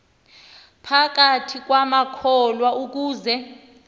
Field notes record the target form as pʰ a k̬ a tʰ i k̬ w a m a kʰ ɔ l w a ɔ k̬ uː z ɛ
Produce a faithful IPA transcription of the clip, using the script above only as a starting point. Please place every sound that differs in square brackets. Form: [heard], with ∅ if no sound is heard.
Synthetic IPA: pʰ a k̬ a tʰ i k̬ w a m a kʰ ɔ l w a [u] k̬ uː z ɛ